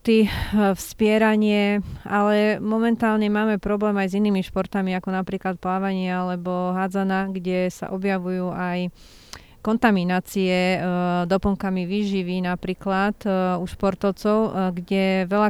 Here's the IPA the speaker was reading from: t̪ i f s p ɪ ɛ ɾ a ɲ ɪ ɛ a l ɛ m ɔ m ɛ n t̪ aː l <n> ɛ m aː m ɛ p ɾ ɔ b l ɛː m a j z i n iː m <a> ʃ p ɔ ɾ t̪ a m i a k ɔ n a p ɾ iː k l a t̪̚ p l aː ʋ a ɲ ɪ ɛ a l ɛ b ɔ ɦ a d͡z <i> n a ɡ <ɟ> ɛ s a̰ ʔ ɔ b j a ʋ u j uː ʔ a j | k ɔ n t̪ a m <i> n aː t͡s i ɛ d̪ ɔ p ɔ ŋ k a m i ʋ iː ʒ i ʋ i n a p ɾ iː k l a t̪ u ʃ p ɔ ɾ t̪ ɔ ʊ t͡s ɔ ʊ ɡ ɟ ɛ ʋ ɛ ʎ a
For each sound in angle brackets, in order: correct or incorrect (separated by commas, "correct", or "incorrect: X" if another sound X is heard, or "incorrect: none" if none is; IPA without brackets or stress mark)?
incorrect: ɲ, incorrect: i, incorrect: a, correct, correct